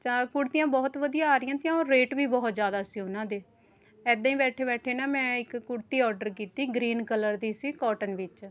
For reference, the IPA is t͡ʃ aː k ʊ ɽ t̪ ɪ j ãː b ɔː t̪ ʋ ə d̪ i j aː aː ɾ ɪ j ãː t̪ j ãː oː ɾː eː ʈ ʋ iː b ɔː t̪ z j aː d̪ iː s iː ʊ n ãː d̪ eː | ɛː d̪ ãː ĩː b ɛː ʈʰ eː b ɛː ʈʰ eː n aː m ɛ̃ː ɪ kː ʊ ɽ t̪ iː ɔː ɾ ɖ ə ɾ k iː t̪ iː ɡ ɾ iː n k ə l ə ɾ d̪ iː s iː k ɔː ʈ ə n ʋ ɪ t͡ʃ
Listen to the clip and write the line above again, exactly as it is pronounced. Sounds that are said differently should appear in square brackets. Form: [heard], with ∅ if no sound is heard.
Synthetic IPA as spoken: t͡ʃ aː k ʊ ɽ t̪ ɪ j ãː b ɔː t̪ ʋ ə d̪ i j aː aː ɾ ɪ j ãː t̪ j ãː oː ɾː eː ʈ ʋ iː b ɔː t̪ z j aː d̪ [aː] s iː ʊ n ãː d̪ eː | ɛː d̪ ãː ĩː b ɛː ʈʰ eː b ɛː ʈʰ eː n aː m ɛ̃ː ɪ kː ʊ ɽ t̪ iː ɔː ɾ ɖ ə ɾ k iː t̪ iː ɡ ɾ iː n k ə l ə ɾ d̪ iː s iː k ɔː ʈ ə n ʋ ɪ t͡ʃ